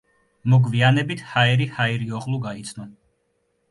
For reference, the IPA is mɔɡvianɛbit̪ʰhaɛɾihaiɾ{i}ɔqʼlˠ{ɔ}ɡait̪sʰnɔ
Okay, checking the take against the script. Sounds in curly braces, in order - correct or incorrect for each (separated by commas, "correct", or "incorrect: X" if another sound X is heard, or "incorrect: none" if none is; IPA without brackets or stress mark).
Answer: correct, incorrect: u